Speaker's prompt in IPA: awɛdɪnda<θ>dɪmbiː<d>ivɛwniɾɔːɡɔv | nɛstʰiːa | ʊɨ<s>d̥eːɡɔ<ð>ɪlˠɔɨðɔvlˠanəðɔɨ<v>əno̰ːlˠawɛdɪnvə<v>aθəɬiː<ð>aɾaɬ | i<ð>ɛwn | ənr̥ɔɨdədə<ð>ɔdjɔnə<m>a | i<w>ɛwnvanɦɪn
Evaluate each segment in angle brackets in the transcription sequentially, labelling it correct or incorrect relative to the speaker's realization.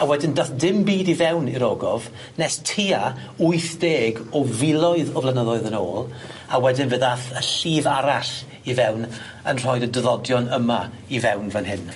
correct, correct, incorrect: θ, incorrect: v, incorrect: ð, incorrect: ð, incorrect: v, incorrect: v, correct, correct, incorrect: v

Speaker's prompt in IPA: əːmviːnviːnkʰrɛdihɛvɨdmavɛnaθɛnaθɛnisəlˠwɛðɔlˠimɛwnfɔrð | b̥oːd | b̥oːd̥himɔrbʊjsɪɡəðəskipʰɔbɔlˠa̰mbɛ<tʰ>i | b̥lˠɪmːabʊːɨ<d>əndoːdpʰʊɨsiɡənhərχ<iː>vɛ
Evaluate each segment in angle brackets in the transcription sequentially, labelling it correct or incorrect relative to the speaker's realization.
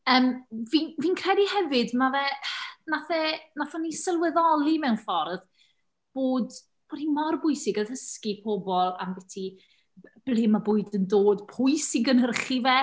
correct, correct, incorrect: i

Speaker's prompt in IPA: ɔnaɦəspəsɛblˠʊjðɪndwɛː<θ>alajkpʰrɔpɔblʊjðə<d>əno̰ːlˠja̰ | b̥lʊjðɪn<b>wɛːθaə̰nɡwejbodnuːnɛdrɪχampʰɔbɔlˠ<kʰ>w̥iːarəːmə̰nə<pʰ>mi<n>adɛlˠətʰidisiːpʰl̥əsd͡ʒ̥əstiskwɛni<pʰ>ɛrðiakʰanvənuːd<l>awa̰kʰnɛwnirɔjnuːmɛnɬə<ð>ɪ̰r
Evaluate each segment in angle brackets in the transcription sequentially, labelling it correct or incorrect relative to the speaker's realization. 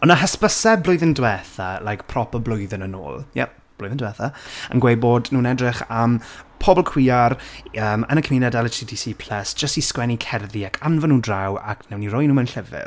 correct, incorrect: n, incorrect: d, correct, incorrect: kʰ, correct, incorrect: kʰ, incorrect: r, incorrect: v

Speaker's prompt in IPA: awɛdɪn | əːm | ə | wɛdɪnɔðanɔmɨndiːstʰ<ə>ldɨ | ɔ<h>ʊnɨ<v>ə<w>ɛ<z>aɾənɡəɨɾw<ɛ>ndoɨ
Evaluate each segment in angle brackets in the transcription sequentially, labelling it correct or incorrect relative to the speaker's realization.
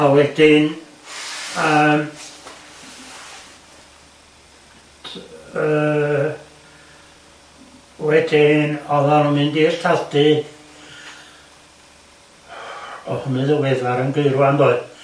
incorrect: a, correct, incorrect: ð, correct, incorrect: ð, incorrect: a

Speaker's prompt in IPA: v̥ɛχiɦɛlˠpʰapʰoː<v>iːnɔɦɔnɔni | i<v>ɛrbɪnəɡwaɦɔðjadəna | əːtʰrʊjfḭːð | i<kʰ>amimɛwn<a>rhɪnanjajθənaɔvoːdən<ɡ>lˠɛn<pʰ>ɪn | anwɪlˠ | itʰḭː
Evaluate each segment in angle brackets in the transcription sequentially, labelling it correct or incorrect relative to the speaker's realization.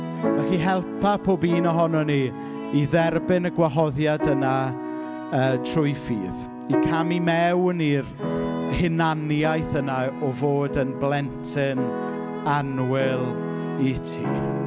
incorrect: b, incorrect: ð, correct, incorrect: i, incorrect: b, incorrect: tʰ

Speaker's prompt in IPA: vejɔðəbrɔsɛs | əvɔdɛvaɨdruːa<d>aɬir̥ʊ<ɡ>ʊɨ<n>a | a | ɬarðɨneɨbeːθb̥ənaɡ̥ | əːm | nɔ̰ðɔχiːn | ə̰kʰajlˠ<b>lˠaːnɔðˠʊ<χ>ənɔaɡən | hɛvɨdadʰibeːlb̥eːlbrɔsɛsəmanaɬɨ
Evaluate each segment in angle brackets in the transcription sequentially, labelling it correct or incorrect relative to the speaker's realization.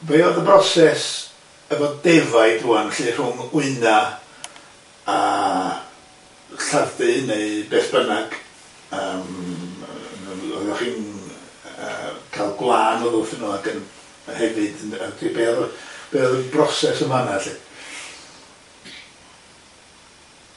incorrect: n, incorrect: ŋ, correct, incorrect: ɡ, incorrect: θ

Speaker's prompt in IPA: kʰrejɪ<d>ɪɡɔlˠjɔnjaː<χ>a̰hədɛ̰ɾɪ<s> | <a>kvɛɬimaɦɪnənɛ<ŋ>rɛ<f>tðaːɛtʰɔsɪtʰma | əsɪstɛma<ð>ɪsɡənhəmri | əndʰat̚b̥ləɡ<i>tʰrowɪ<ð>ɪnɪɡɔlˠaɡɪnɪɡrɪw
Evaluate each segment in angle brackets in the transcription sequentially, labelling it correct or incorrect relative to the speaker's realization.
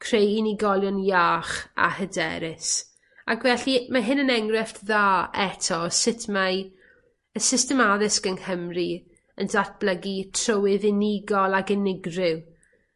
incorrect: n, correct, correct, correct, correct, correct, correct, correct, correct

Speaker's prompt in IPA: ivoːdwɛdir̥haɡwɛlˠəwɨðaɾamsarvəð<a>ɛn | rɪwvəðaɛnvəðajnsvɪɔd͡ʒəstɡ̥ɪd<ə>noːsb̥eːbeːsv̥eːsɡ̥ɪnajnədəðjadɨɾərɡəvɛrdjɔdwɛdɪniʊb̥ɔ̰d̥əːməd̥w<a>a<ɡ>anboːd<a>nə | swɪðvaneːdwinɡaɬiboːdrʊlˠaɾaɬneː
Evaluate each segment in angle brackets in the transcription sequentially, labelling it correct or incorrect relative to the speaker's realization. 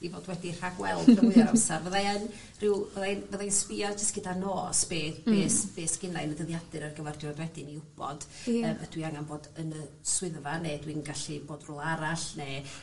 correct, incorrect: a, incorrect: i, incorrect: ŋ, incorrect: ə

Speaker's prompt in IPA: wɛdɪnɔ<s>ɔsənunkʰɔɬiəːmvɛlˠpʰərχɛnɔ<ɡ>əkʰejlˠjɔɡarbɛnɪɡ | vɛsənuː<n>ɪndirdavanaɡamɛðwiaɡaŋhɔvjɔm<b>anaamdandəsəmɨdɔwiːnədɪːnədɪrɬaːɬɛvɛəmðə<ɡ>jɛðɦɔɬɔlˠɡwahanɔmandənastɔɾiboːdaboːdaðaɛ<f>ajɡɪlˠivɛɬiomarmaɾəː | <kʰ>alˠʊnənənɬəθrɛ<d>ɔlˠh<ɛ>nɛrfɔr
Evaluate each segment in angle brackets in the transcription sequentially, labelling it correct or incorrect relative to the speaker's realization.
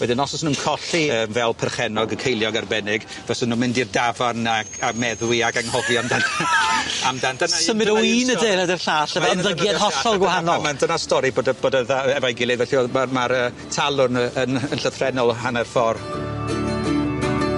correct, correct, incorrect: m, incorrect: d, correct, incorrect: v, incorrect: tʰ, incorrect: n, incorrect: a

